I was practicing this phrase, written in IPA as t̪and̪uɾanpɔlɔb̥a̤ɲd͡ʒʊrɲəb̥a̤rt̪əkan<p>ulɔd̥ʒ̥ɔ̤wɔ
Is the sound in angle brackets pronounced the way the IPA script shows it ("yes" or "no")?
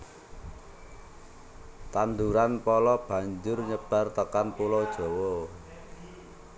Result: yes